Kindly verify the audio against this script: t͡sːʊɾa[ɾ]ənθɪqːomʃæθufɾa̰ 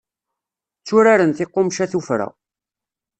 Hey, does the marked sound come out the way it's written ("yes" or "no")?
yes